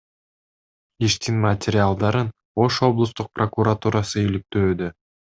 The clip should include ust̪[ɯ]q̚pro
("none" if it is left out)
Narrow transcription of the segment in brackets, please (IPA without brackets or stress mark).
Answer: u